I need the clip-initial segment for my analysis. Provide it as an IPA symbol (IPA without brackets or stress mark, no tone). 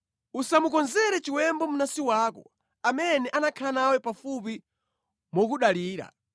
u